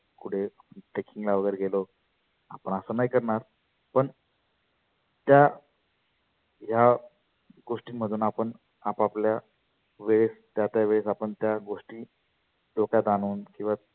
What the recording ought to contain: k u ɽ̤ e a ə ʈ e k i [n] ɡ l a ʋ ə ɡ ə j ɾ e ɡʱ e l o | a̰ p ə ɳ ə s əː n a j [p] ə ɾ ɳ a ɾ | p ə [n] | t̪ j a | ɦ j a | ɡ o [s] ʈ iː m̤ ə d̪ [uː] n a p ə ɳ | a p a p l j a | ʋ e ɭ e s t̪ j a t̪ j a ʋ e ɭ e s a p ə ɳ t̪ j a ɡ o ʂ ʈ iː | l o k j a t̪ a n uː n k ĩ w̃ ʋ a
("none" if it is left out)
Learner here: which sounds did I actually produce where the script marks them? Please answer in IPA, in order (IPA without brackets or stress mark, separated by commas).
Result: ŋ, k, ɳ, ʂ, uː